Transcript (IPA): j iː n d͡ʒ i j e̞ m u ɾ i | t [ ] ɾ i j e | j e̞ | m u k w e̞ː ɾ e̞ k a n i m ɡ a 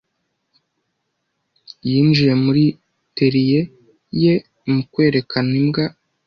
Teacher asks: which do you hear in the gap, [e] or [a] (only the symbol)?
e